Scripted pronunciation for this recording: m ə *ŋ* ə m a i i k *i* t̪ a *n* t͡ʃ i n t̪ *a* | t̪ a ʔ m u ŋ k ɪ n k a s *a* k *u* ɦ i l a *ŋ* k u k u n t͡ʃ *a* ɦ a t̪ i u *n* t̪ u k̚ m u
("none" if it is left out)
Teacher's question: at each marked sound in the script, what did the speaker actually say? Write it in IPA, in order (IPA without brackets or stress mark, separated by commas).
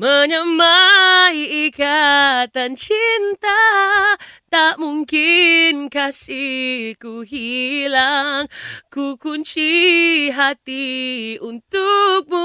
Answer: ɲ, a, n, a, i, u, ŋ, i, n